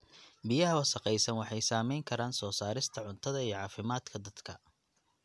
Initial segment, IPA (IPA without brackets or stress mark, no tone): b